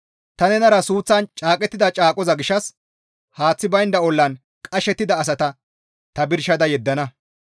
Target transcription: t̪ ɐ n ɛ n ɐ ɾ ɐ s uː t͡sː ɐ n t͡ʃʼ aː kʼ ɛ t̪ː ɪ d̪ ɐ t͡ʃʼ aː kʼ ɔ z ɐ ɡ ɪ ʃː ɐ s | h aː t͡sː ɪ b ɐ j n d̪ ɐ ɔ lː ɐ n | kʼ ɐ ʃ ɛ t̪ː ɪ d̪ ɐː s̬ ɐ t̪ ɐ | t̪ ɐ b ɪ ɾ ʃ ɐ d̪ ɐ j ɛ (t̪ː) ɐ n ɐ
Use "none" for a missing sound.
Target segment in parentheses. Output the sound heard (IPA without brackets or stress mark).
d̪ː